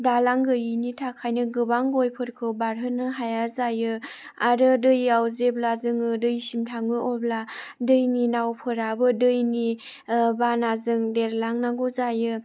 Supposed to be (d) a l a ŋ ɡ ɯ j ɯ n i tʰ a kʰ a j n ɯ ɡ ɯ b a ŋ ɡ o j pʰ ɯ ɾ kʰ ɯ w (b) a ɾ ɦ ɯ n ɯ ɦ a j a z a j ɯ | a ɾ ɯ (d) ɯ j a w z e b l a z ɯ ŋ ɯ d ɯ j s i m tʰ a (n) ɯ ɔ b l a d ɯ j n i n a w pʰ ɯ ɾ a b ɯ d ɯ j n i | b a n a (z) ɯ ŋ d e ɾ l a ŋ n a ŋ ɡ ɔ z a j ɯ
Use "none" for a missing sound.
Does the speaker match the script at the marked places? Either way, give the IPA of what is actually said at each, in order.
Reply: d, b, d, ŋ, z

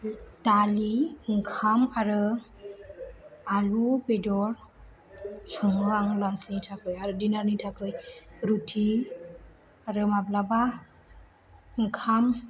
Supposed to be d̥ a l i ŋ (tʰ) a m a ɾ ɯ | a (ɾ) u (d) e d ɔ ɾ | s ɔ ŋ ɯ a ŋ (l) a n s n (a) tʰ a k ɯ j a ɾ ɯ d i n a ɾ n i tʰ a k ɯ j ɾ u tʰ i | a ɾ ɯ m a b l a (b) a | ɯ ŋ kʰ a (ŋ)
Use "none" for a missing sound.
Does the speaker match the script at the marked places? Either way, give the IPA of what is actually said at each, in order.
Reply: kʰ, l, b, l, i, b, m

